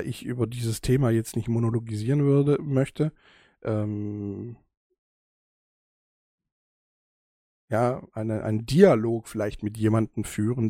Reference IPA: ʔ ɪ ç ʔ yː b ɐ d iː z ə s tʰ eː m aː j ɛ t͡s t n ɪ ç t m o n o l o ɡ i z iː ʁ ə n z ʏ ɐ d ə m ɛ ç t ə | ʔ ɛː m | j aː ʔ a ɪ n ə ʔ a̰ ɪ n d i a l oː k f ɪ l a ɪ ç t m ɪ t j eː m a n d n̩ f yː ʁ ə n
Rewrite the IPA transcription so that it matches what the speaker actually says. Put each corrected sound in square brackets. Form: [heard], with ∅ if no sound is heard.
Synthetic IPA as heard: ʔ ɪ ç ʔ yː b ɐ d iː z ə s tʰ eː m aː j ɛ t͡s t n ɪ ç t m o n o l o ɡ i z iː ʁ ə n [v] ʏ ɐ d ə m [œ] ç t ə | ʔ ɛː m | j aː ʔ a ɪ n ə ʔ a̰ ɪ n d i a l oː k f ɪ l a ɪ ç t m ɪ t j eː m a n d n̩ f yː ʁ ə n